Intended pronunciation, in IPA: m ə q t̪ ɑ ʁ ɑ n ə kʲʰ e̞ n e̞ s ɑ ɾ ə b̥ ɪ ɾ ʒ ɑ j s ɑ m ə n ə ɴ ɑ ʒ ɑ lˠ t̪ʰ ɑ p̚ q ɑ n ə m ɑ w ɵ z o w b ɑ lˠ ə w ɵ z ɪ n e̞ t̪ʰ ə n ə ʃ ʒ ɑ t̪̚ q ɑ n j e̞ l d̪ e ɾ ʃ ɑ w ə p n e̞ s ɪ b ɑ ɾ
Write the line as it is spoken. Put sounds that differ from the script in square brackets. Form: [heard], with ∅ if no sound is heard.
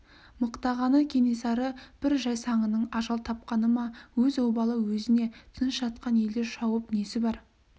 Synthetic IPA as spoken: m ə q t̪ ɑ ʁ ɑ n ə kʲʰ e̞ n e̞ s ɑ ɾ ə b̥ ɪ ɾ ʒ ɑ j s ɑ [ɴ] ə n ə ɴ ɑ ʒ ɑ lˠ t̪ʰ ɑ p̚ q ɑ n ə m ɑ w ɵ z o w b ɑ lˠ ə w ɵ z ɪ n e̞ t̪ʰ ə n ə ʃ ʒ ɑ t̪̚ q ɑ n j e̞ l d̪ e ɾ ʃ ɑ w ə p n e̞ s ɪ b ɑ ɾ